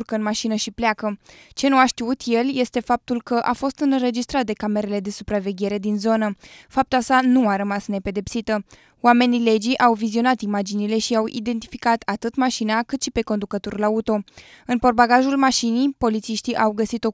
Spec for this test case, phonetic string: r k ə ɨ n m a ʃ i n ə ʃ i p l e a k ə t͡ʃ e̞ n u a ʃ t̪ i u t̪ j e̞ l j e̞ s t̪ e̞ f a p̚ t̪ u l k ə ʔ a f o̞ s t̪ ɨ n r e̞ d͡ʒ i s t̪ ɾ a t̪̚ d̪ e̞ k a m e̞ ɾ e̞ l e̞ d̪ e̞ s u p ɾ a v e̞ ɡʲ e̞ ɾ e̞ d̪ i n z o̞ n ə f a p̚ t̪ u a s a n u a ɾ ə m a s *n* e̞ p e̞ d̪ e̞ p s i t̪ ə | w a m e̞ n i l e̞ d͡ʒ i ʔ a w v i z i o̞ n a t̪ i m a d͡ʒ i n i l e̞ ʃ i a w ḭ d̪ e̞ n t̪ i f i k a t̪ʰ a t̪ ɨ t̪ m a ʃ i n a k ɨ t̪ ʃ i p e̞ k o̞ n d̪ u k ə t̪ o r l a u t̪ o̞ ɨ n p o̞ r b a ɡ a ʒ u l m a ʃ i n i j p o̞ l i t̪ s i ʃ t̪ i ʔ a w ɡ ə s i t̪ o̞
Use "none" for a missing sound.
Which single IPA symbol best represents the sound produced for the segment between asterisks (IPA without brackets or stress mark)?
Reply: n